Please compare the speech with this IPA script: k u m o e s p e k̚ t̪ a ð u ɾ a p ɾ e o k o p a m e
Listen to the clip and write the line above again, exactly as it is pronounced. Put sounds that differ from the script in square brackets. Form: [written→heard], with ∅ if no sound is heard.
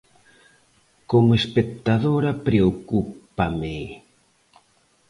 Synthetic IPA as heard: k [u→o] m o e s p e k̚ t̪ a ð [u→o] ɾ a p ɾ e o k [o→u] p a m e